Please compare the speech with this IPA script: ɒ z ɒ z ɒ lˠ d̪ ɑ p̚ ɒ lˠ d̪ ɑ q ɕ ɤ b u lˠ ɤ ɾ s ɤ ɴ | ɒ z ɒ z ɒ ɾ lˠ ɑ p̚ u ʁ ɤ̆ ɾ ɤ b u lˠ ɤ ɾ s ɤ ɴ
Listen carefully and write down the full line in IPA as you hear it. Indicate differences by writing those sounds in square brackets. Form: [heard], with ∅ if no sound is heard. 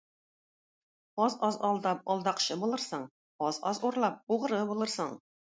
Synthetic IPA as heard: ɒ z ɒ z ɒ lˠ d̪ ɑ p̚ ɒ lˠ d̪ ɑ q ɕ ɤ b u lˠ ɤ ɾ s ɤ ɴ | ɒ z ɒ z [u] ɾ lˠ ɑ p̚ u ʁ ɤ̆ ɾ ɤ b u lˠ ɤ ɾ s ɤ ɴ